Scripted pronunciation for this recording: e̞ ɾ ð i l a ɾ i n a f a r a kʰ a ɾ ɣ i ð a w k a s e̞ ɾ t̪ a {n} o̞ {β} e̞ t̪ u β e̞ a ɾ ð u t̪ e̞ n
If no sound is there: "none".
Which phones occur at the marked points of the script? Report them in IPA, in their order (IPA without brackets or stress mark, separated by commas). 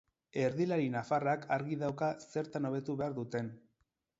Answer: n, β